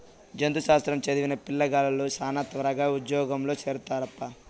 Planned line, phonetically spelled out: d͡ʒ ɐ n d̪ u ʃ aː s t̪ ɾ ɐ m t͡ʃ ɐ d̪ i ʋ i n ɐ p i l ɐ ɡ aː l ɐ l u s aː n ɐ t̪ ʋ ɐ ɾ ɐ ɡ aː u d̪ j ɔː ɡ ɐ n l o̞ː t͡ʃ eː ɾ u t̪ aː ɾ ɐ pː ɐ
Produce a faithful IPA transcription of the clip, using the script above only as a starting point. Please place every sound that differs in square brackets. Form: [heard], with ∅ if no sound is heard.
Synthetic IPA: d͡ʒ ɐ n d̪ u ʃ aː s t̪ ɾ ɐ m t͡ʃ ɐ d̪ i ʋ i n ɐ p i [lː] ɐ ɡ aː l ɐ l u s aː n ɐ t̪ ʋ ɐ ɾ ɐ ɡ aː u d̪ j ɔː ɡ ɐ [m] l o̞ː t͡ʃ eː ɾ u t̪ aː ɾ ɐ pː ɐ